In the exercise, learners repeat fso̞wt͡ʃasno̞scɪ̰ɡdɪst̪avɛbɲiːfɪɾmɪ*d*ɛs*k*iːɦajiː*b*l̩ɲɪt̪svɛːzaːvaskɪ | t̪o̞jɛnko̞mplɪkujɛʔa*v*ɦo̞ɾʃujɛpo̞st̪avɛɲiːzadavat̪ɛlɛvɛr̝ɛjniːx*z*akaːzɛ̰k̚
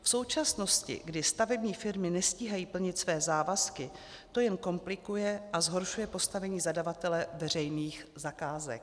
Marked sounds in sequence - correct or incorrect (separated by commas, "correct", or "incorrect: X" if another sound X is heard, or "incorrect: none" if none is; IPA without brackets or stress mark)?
incorrect: n, incorrect: c, incorrect: p, incorrect: z, correct